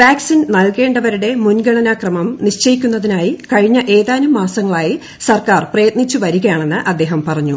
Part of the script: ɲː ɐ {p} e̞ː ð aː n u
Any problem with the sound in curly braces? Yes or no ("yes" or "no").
yes